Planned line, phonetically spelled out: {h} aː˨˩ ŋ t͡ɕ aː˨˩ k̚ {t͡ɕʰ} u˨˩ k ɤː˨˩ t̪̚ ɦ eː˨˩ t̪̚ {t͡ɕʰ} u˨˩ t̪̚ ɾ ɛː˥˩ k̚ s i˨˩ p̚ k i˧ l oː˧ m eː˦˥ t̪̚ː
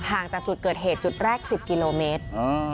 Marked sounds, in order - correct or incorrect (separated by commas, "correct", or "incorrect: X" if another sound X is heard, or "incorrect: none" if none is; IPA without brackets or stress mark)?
correct, incorrect: t͡ɕ, incorrect: t͡ɕ